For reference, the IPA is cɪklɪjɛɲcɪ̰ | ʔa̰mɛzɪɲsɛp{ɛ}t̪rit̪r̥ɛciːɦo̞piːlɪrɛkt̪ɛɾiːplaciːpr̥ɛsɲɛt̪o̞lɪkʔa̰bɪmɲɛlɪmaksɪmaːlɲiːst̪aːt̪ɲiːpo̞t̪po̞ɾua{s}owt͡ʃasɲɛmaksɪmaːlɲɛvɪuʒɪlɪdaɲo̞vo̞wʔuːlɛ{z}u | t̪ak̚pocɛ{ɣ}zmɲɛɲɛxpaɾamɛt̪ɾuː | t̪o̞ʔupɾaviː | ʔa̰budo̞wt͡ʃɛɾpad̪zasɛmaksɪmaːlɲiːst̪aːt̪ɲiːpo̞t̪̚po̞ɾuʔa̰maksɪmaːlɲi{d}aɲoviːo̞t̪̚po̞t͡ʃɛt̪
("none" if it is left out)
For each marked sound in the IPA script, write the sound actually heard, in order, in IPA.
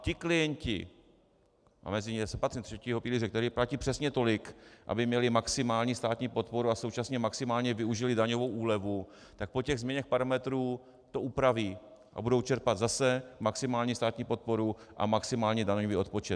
a, s, v, ɣ, d

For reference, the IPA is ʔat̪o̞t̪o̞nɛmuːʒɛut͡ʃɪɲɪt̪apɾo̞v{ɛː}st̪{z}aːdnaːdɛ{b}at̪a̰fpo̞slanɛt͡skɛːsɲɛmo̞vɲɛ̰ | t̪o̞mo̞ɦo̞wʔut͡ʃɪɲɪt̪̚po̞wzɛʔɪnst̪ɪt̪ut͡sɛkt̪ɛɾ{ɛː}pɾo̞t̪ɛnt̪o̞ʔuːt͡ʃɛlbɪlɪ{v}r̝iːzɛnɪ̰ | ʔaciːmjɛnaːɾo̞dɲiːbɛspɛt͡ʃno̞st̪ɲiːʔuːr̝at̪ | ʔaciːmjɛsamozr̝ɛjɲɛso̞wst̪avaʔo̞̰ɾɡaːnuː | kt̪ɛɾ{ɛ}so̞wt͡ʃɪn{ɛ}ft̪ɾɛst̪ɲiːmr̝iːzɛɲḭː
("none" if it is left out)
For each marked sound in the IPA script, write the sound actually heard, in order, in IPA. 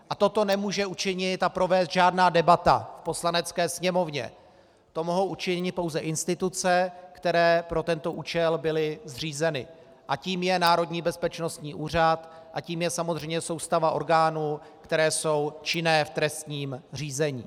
ɛː, ʒ, b, ɛː, z, ɛː, ɛː

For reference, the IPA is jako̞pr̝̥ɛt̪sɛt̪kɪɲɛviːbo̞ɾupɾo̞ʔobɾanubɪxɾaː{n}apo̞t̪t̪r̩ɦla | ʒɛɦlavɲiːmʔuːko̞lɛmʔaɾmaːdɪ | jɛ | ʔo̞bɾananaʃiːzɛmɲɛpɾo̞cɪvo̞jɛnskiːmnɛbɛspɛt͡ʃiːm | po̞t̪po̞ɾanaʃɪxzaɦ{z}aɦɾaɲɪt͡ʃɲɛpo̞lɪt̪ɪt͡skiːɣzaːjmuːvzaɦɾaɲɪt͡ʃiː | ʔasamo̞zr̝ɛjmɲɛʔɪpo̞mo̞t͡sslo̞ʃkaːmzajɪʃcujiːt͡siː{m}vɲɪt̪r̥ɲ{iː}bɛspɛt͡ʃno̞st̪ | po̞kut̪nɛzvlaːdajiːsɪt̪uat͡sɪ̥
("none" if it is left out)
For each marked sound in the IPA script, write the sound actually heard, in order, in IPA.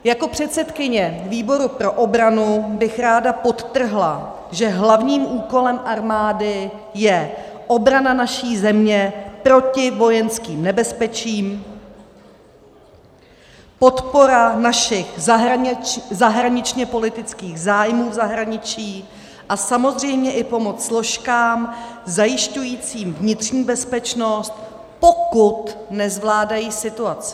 d, z, m, iː

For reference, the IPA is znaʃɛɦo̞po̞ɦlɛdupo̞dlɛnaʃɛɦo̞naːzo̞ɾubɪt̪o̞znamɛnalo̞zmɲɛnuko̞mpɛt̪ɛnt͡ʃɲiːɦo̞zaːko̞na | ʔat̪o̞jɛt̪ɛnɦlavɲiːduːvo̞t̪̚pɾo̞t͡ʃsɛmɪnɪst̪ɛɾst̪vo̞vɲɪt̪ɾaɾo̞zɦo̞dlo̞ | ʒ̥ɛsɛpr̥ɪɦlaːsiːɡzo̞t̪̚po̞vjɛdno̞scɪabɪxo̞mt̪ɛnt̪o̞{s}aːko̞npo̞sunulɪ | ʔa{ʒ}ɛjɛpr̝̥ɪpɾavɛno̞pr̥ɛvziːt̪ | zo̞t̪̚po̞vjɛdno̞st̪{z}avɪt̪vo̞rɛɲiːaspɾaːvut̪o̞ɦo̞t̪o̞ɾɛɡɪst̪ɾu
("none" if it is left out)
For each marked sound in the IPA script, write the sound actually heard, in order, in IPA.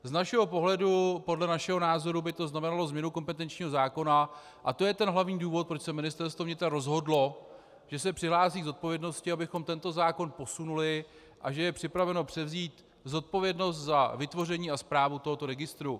z, ʒ, z

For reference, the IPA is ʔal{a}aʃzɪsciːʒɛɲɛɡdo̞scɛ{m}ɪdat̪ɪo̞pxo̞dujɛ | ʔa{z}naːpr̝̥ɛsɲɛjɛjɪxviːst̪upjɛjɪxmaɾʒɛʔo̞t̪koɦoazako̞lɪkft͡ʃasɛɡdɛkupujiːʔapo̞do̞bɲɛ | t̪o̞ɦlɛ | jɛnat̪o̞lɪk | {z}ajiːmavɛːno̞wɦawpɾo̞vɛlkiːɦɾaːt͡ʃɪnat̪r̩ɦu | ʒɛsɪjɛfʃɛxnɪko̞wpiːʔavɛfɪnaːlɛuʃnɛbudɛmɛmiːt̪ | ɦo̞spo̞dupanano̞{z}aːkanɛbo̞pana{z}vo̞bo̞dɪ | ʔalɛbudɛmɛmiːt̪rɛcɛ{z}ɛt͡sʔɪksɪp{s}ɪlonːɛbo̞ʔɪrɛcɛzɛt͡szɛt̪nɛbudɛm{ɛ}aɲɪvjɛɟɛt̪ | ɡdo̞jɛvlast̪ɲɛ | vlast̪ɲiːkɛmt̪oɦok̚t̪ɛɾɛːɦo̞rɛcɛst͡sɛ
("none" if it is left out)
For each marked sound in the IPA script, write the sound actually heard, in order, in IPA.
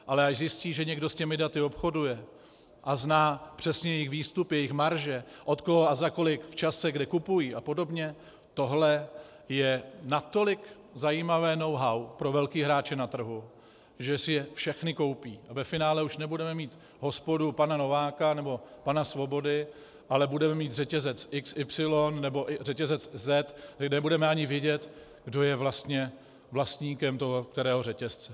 ɛ, m, z, z, v, s, z, s, ɛ

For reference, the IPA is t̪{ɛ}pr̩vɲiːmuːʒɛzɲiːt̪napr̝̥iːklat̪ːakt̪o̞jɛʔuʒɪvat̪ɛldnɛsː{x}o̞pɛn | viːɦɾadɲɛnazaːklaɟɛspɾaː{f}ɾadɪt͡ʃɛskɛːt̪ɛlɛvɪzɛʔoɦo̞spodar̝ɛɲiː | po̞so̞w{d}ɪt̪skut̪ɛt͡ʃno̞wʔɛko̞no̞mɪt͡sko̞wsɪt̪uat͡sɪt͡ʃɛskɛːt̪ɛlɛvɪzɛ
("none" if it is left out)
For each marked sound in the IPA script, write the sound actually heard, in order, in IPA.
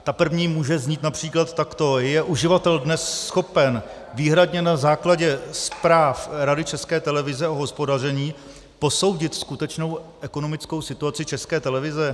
a, x, f, ɟ

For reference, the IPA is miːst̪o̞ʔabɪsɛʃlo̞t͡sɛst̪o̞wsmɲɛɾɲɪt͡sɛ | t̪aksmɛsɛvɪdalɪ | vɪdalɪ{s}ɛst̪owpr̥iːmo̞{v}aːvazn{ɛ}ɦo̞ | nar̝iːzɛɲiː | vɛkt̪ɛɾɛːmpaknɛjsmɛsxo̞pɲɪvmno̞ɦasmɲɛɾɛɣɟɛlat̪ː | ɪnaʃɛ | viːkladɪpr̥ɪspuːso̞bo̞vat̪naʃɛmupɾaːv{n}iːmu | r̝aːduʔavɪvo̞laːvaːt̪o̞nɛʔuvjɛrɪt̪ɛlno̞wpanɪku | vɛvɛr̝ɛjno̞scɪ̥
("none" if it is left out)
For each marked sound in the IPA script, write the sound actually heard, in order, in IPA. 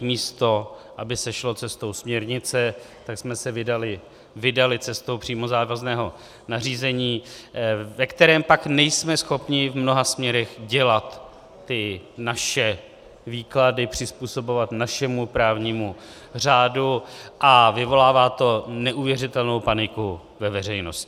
t͡s, z, ɛː, ɲ

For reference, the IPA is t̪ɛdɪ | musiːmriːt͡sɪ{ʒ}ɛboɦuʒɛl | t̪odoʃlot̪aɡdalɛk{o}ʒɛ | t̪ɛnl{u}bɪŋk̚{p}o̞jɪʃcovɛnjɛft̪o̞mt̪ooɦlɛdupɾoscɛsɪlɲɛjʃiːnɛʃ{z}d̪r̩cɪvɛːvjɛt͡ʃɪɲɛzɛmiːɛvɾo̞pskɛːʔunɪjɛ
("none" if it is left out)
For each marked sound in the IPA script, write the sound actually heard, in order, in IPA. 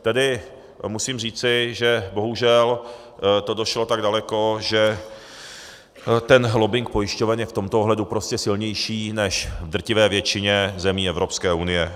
ʒ, o, o, p, v

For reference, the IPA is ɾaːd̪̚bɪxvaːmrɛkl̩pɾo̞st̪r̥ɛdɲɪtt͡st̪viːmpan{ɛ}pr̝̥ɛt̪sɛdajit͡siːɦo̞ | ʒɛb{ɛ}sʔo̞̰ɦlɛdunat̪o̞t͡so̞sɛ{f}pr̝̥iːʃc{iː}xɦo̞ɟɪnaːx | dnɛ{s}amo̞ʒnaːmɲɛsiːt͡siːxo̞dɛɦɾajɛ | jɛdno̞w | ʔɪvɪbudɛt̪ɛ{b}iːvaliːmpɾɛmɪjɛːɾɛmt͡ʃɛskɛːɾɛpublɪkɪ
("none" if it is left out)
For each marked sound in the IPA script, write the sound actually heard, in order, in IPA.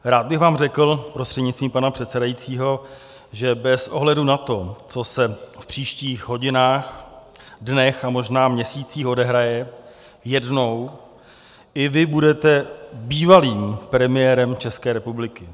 a, ɛ, f, iː, x, b

